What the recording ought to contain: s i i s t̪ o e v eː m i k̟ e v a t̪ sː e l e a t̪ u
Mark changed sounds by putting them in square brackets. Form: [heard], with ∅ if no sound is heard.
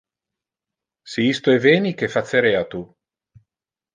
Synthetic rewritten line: s i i s t̪ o e v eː [n] i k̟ e [f] a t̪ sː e [ɾ] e a t̪ u

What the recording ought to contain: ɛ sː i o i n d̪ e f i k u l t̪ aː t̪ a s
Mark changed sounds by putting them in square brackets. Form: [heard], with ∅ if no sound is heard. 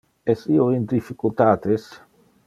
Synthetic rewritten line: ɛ [s] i o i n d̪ [i] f i k u l t̪ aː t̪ [e] s

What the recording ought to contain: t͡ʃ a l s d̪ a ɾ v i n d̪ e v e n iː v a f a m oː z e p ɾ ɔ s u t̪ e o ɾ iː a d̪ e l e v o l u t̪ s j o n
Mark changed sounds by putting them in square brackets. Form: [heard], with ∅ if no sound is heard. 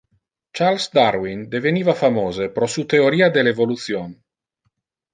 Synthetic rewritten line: t͡ʃ a l s d̪ a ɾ [w] i n d̪ e v e n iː v a f a m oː z e p ɾ ɔ s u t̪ e o ɾ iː a d̪ e l e v o l u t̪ s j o n

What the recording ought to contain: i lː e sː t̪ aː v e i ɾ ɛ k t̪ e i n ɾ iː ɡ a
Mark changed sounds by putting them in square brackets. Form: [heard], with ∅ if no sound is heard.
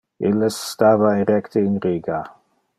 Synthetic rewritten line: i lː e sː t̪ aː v [a] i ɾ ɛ k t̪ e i n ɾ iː ɡ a

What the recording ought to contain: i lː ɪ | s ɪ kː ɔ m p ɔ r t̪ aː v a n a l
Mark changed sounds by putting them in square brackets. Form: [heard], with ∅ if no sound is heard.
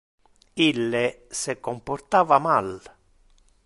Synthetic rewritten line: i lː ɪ | s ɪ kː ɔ m p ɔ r t̪ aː v a [m] a l

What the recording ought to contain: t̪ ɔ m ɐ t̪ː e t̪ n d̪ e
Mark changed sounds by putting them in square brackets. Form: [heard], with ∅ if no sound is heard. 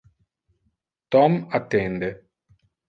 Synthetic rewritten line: t̪ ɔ m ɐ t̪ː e [∅] n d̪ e

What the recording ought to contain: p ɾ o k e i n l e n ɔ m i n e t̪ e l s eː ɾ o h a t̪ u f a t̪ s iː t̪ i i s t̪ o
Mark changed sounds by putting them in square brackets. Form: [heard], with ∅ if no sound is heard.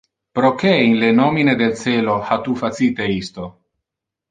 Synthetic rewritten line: p ɾ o k e i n l e n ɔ m i n e [d̪] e l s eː [l] o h a t̪ u f a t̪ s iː t̪ [e] i s t̪ o

